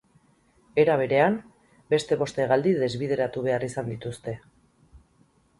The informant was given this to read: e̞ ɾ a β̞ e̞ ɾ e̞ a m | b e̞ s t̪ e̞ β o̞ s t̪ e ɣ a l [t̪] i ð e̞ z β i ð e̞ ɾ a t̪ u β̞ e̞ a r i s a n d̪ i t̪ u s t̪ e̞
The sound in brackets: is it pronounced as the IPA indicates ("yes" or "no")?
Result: no